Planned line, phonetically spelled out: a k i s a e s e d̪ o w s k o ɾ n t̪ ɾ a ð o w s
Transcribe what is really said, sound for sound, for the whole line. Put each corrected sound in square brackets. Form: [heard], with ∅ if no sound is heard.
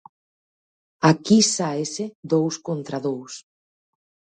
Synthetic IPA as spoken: a k i s a e s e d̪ o w s k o [∅] n t̪ ɾ a ð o w s